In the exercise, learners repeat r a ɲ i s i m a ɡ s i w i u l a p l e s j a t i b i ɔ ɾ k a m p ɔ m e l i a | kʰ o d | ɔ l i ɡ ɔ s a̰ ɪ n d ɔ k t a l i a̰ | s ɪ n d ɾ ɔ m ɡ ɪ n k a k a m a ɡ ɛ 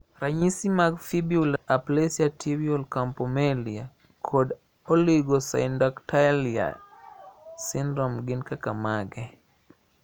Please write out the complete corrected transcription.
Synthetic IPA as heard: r a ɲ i s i m a ɡ f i b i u l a p l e s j a t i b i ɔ l k a m p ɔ m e l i a | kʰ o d | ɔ l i ɡ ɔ s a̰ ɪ n d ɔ k t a l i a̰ | s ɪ n d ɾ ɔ m ɡ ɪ n k a k a m a ɡ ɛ